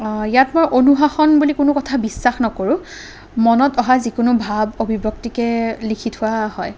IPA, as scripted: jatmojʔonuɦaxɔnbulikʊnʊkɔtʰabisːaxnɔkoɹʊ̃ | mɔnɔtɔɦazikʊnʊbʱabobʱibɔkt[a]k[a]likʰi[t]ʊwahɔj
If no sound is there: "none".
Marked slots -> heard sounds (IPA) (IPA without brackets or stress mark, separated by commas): i, ɛ, tʰ